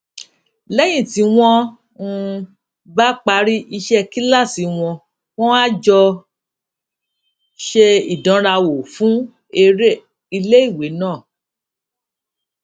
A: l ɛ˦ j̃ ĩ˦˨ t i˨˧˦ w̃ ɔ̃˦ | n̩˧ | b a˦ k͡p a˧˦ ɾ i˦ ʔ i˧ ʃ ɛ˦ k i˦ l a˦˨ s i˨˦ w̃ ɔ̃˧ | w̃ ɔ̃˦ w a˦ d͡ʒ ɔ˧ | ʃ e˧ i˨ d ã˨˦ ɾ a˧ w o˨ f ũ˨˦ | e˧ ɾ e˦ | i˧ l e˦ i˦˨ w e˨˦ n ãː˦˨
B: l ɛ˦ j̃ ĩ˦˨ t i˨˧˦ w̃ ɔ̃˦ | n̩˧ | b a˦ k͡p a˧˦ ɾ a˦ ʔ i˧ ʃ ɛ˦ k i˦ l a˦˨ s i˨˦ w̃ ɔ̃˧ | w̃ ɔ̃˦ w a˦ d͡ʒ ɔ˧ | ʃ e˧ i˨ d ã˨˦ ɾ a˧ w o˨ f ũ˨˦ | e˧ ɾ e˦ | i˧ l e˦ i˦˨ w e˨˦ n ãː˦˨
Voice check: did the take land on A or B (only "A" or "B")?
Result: A